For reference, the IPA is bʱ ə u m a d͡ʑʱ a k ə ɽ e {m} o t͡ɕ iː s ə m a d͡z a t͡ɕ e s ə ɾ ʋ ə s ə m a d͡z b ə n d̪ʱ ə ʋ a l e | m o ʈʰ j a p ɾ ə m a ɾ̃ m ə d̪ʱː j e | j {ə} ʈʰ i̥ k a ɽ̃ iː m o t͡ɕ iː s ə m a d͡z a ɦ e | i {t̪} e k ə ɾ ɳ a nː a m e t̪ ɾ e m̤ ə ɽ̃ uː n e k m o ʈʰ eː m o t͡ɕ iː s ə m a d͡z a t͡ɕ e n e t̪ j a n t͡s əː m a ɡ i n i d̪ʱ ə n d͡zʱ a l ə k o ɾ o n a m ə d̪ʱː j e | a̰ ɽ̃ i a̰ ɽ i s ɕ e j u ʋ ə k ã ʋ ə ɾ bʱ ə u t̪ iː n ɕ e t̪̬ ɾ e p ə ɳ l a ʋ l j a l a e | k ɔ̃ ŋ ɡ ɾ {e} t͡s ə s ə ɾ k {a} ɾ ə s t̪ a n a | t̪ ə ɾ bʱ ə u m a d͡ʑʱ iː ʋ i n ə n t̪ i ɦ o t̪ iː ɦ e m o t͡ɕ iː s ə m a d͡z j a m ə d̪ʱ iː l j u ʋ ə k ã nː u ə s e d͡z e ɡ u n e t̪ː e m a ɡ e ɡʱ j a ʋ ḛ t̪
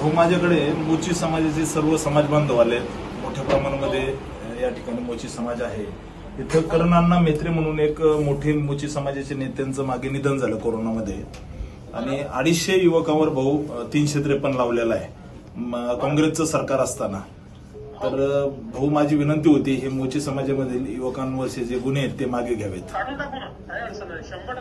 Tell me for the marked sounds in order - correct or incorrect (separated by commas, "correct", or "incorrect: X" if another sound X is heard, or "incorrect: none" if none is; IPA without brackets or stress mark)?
correct, incorrect: a, incorrect: t̪ʰ, correct, correct